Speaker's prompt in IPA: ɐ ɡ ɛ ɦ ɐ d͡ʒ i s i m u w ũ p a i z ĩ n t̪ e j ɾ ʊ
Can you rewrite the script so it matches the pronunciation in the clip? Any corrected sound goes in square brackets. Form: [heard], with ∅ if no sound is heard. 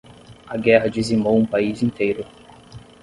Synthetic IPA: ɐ ɡ ɛ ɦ ɐ d͡ʒ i [z] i m [o] w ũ p a i z ĩ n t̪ e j ɾ ʊ